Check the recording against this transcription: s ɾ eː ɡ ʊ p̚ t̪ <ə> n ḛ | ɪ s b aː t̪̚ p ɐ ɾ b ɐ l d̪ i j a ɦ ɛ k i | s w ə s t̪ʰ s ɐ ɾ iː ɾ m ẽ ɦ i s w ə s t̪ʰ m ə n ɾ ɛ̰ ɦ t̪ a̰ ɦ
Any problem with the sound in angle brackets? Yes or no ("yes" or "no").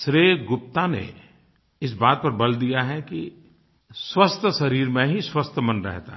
yes